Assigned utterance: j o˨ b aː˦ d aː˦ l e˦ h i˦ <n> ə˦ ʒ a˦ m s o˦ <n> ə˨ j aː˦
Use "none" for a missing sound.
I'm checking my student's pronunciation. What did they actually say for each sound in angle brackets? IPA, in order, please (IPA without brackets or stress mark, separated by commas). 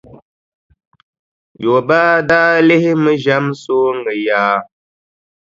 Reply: m, ŋ